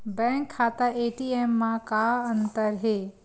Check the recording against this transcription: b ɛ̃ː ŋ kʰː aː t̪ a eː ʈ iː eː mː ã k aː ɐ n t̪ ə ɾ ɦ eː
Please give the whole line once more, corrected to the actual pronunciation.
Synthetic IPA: b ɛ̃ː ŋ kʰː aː t̪ a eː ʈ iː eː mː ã k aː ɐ n t̪ ə ɾ ɦ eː